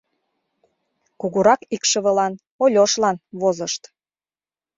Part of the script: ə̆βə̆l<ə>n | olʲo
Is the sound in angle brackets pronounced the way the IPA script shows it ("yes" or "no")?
no